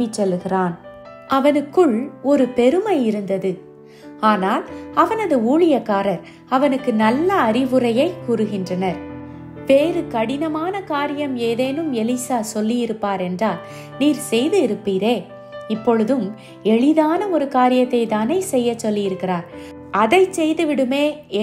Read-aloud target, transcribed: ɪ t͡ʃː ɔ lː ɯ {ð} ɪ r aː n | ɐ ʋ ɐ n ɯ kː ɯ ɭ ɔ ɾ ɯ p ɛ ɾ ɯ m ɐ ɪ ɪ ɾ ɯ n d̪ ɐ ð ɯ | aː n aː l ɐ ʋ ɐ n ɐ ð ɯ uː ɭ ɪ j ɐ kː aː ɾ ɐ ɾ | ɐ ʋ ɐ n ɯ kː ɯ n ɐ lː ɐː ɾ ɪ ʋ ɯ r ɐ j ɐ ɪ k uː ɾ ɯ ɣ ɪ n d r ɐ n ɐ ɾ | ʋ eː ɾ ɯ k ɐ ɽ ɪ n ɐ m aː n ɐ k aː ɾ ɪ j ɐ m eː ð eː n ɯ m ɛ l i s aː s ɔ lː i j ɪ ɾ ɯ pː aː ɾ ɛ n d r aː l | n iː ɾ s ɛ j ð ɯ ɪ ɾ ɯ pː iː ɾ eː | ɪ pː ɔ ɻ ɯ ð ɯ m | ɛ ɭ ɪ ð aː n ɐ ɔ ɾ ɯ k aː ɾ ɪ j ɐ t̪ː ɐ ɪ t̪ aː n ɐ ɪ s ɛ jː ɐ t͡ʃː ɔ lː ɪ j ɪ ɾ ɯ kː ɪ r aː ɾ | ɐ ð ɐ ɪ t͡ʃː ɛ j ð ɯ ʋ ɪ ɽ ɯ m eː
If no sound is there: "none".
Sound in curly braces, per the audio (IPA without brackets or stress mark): ɣ